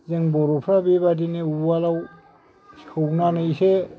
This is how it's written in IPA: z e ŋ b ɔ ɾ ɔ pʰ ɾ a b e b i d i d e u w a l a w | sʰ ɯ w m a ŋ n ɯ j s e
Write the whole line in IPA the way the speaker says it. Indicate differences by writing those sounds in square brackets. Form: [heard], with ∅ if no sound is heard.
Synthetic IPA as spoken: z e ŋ b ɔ ɾ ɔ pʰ ɾ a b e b [a] d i [n] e u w a l a w | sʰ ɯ w [n] a [∅] n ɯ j s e